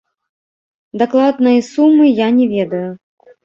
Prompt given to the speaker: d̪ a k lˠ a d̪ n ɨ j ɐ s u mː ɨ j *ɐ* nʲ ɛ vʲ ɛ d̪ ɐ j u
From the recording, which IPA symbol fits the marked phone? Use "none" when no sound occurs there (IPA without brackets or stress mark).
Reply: a